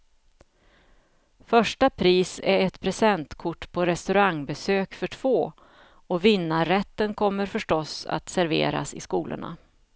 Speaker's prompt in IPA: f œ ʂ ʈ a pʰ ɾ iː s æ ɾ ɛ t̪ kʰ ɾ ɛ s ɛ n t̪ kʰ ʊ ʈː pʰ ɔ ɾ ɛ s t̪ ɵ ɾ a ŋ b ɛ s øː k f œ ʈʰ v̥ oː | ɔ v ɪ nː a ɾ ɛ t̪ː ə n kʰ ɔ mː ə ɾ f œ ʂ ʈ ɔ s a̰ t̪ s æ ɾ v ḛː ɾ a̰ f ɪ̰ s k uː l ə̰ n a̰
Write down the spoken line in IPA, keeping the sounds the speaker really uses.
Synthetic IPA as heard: f œ ʂ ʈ a pʰ ɾ iː s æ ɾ ɛ t̪ pʰ ɾ ɛ s ɛ n t̪ kʰ ʊ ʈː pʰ ɔ ɾ ɛ s t̪ ɵ ɾ a ŋ b ɛ s øː k f œ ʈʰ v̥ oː | ɔ v ɪ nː a ɾ ɛ t̪ː ə n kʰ ɔ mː ə ɾ f œ ʂ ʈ ɔ s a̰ t̪ s æ ɾ v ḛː ɾ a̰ s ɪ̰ s k uː l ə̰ ɳ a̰